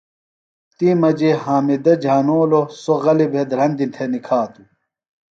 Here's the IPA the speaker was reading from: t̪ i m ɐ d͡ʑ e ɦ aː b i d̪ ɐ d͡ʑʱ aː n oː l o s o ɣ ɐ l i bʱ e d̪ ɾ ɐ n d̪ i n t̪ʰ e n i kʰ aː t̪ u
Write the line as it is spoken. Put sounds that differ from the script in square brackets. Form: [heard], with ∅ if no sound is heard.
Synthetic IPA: t̪ i m ɐ d͡ʑ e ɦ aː [m] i d̪ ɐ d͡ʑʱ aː n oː l o s o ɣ ɐ l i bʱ e d̪ ɾ ɐ n d̪ i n t̪ʰ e n i kʰ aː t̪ u